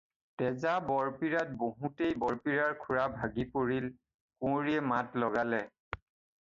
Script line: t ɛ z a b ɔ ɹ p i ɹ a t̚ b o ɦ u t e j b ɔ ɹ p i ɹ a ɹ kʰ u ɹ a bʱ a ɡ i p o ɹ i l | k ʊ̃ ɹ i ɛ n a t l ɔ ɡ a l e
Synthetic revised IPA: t ɛ z a b ɔ ɹ p i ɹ a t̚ b o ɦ u t e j b ɔ ɹ p i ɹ a ɹ kʰ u ɹ a bʱ a ɡ i p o ɹ i l | k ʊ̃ ɹ i ɛ m a t l ɔ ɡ a l ɛ